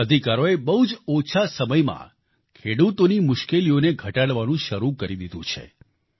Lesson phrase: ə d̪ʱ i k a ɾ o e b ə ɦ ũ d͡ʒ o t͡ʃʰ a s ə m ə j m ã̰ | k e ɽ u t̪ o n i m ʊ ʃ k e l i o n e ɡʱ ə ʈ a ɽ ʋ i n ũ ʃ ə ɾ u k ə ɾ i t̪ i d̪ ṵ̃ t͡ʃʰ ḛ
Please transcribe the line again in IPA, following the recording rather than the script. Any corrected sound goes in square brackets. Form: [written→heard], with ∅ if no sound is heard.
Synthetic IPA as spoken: ə d̪ʱ i k a ɾ o e b ə ɦ [ũ→u] d͡ʒ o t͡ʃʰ a s ə m ə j m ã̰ | [k→kʰ] e ɽ u t̪ o n i m ʊ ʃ k e l i o n e ɡʱ ə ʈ a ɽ ʋ [i→a] n ũ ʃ ə ɾ u k ə ɾ i [t̪→d̪] i d̪ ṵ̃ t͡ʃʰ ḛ

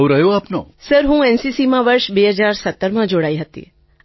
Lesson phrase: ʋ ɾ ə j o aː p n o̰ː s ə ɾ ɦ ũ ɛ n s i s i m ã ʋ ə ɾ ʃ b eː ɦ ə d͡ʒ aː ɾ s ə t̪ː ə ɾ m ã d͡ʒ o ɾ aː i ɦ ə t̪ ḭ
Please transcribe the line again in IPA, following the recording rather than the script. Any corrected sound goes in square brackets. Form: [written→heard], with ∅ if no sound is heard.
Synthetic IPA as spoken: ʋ ɾ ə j o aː p n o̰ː s ə ɾ ɦ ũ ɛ n s i s i m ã ʋ ə ɾ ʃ b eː ɦ ə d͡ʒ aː ɾ s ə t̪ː ə ɾ m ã d͡ʒ o [ɾ→ɽ] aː i ɦ ə t̪ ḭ

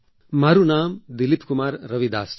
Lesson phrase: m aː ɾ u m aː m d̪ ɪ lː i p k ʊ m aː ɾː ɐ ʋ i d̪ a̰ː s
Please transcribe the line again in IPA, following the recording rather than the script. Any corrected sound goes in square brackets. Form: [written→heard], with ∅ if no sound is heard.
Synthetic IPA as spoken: m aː ɾ u [m→n] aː m d̪ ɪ [lː→l] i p k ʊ m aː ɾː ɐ ʋ i d̪ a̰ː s

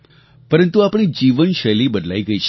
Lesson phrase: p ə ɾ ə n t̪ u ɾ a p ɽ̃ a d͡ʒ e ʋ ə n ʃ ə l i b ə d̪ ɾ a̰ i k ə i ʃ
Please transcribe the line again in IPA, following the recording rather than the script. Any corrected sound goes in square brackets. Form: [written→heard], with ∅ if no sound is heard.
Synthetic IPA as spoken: p ə ɾ ə n t̪ u [ɾ→∅] a p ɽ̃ [a→i] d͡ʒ [e→i] ʋ ə n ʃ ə l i b ə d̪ [ɾ→l] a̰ i [k→ɡ] ə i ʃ

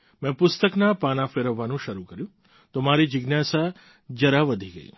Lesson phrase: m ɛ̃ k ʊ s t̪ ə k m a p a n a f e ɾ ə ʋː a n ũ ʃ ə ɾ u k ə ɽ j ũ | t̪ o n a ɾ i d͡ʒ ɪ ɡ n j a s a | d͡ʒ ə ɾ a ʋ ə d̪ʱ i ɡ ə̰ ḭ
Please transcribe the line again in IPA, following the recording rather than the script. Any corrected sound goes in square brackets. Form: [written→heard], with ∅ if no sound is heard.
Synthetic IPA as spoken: m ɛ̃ [k→p] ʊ s t̪ ə k [m→n] a p a n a f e ɾ ə ʋː a n ũ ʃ ə ɾ u k ə [ɽ→ɾ] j ũ | t̪ o [n→m] a ɾ i d͡ʒ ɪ ɡ n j a s a | d͡ʒ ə ɾ a ʋ ə d̪ʱ i ɡ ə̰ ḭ

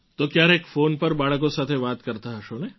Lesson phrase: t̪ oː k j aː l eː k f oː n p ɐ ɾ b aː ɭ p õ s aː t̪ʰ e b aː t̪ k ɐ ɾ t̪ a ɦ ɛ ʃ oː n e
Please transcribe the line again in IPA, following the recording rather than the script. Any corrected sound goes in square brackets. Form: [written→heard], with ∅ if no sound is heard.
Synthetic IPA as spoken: t̪ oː k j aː [l→ɾ] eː k f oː n p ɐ ɾ b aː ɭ [p→k] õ s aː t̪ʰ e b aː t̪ k ɐ ɾ t̪ a ɦ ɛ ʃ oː n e

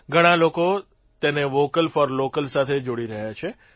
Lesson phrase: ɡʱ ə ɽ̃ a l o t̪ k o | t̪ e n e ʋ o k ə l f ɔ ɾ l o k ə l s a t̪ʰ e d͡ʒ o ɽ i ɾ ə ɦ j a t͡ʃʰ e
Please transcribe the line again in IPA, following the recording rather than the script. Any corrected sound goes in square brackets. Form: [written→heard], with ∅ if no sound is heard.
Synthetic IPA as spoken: ɡʱ ə ɽ̃ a l o [t̪→∅] k o | t̪ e n e ʋ o k ə l f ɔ ɾ l o k ə l s a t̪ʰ e d͡ʒ o ɽ i ɾ ə ɦ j a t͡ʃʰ e

